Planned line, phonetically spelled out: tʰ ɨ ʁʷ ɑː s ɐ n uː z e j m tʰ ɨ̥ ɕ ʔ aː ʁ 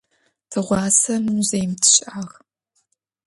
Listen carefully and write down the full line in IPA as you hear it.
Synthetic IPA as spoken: tʰ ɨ ʁʷ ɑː s ɐ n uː z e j m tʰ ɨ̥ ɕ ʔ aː ʁ